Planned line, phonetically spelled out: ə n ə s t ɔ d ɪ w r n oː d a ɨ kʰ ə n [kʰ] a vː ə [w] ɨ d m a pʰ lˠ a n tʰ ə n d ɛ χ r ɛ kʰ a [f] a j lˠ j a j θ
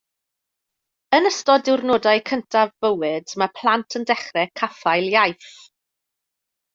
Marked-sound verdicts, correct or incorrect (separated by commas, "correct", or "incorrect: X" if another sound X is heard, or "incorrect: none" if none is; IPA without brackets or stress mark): incorrect: tʰ, correct, correct